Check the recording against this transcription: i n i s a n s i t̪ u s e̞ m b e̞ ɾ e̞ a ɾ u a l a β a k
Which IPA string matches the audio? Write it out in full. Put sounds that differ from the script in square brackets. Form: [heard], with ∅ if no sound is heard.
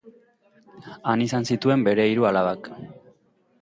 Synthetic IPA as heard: [a] n i s a n s i t̪ u [∅] e̞ m b e̞ ɾ e̞ [i] ɾ u a l a β a k